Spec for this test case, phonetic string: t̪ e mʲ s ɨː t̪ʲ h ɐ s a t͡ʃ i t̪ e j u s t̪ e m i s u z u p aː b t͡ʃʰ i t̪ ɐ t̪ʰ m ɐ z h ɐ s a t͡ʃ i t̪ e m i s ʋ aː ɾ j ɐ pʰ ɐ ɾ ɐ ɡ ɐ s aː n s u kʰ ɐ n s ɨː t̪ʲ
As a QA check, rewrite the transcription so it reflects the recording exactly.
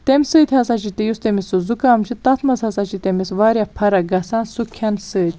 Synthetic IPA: t̪ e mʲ s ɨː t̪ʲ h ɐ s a t͡ʃ i t̪ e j u s t̪ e m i s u z u k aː m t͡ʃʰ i t̪ ɐ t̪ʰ m ɐ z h ɐ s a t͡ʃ i t̪ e m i s ʋ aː ɾ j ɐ pʰ ɐ ɾ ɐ ɡ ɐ s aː n s u kʰ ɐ n s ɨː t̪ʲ